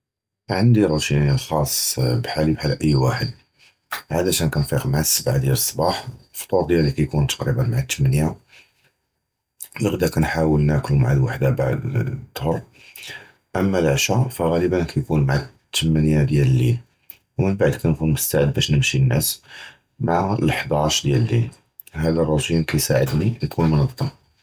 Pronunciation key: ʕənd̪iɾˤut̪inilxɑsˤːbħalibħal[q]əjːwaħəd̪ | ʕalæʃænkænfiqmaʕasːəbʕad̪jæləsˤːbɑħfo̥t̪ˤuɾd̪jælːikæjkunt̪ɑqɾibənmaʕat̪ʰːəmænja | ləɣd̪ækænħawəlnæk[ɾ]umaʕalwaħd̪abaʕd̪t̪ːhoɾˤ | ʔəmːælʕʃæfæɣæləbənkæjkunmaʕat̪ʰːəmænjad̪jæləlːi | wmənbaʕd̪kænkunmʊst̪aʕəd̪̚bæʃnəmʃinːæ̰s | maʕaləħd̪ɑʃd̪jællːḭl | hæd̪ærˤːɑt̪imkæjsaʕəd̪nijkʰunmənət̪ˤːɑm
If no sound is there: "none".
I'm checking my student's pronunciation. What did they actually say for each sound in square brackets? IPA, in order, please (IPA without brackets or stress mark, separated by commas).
ʔ, l